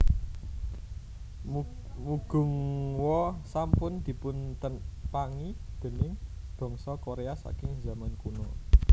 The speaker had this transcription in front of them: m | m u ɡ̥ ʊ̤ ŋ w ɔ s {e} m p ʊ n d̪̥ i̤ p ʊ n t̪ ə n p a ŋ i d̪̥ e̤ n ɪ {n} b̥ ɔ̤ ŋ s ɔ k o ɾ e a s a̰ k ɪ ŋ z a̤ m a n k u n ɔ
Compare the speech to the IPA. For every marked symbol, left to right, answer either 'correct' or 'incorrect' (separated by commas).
incorrect, incorrect